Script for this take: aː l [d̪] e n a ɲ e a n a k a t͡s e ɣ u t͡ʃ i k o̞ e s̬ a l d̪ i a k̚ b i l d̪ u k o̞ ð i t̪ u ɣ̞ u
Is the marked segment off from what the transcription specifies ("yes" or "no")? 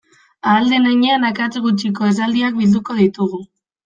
no